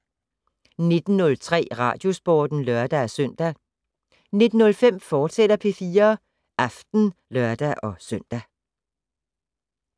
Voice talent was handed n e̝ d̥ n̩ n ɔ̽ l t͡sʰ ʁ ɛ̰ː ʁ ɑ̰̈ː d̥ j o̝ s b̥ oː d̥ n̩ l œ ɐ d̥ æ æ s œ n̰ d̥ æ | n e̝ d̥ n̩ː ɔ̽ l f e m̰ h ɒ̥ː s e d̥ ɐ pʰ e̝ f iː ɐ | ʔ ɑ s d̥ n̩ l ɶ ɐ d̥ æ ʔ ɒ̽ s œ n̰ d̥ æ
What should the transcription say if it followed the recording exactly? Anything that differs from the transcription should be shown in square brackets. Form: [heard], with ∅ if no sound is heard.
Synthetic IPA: n e̝ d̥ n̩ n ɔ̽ l t͡sʰ ʁ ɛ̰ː ʁ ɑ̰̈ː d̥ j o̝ s b̥ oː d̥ n̩ l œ ɐ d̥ æ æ s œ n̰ d̥ æ | n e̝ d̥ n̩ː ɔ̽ l f e m̰ [f] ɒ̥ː s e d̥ ɐ pʰ e̝ f iː ɐ | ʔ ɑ [f] d̥ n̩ l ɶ ɐ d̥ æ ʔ ɒ̽ s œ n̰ d̥ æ